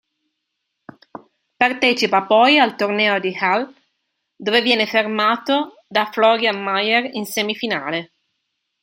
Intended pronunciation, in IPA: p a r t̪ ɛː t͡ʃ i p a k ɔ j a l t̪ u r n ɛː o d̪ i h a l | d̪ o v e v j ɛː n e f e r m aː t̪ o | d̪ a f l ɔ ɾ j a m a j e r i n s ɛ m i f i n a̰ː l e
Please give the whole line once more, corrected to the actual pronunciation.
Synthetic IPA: p a r t̪ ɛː t͡ʃ i p a p ɔ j a l t̪ o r n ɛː o d̪ i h a l | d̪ o v e v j ɛː n e f e r m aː t̪ o | d̪ a f l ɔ ɾ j a m a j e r i n s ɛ m i f i n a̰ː l e